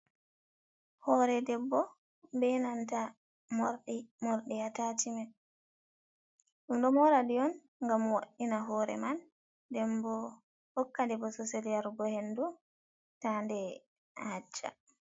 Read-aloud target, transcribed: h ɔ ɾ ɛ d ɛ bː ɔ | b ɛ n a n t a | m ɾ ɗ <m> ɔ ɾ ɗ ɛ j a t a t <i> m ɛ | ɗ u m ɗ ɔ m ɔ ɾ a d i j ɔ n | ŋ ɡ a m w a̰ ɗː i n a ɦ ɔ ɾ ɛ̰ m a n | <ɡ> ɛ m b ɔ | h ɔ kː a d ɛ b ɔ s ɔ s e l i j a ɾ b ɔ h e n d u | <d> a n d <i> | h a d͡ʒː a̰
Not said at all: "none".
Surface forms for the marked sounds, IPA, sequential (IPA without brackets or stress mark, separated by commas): m, i, d, t, ɛ